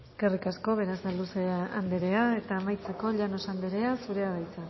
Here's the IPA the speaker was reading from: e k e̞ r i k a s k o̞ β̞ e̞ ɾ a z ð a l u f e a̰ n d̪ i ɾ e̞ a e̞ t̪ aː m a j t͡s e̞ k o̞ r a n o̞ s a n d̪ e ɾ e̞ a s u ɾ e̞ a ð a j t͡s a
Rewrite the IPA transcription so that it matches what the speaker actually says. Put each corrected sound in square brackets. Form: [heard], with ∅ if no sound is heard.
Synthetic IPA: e k e̞ r i k a s k o̞ β̞ e̞ ɾ a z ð a l u [s] e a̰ n d̪ [e] ɾ e̞ a e̞ t̪ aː m a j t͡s e̞ k o̞ [ʎ] a n o̞ s a n d̪ e ɾ e̞ a s u ɾ e̞ a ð a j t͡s a